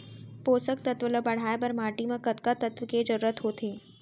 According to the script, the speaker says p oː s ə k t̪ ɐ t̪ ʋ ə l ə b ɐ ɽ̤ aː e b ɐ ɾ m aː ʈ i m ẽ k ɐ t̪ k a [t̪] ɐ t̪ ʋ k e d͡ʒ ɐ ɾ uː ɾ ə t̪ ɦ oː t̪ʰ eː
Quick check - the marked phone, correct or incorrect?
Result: correct